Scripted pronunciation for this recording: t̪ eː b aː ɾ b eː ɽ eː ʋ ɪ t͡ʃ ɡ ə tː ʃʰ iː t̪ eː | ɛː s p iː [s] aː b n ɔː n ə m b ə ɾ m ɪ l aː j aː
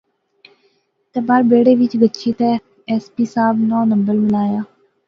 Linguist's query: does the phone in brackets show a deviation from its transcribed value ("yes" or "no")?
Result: no